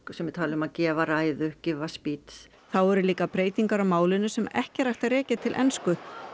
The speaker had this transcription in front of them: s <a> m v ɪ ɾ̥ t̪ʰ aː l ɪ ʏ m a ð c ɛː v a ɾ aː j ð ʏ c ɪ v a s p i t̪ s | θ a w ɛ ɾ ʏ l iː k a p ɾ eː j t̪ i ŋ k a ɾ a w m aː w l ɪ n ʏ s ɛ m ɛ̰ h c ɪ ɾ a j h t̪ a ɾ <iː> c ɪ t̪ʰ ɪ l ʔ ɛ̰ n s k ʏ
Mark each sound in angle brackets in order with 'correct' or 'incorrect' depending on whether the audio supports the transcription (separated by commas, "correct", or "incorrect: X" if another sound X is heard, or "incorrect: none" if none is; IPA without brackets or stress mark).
incorrect: ɛ, incorrect: ɛː